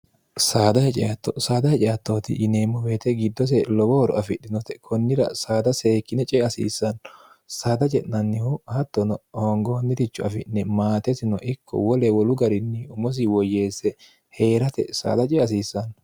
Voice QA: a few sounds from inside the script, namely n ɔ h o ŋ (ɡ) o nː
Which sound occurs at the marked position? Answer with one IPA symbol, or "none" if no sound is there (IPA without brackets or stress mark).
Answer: ɡ